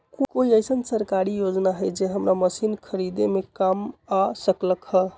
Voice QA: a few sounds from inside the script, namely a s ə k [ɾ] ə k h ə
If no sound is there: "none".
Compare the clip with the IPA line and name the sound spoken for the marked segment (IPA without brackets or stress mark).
l